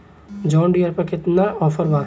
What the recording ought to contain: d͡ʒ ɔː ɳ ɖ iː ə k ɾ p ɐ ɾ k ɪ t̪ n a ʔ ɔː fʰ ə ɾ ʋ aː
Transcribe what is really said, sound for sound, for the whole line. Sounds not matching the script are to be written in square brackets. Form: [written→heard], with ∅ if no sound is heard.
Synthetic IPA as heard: d͡ʒ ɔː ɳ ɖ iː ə [k→∅] ɾ p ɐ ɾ k ɪ t̪ n a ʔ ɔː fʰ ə ɾ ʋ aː